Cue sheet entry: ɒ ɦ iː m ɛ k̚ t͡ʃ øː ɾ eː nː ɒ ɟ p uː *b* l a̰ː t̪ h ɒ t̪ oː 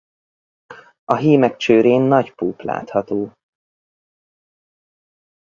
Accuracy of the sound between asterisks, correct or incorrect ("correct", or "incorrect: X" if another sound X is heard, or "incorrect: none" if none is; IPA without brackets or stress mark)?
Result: incorrect: p